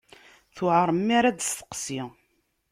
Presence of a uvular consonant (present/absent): present